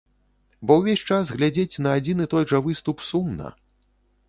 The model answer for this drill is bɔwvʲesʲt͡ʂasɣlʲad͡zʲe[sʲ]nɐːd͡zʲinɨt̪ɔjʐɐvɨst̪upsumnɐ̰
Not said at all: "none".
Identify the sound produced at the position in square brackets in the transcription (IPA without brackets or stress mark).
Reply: t͡sʲ